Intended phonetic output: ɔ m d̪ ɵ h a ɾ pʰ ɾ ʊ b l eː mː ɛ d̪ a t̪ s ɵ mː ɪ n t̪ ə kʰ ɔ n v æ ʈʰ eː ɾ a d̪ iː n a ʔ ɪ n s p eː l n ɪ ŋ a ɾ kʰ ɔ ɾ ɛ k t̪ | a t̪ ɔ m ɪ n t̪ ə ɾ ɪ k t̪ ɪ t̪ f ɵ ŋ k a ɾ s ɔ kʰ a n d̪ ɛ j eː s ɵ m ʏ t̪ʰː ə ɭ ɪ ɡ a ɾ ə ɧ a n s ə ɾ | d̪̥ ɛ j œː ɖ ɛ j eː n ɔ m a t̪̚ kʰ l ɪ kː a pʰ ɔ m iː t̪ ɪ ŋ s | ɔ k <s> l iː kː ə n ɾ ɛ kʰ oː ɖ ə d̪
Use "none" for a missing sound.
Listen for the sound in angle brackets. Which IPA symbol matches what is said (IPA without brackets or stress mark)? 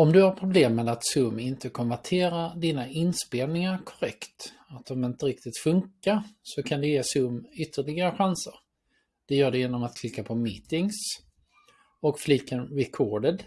f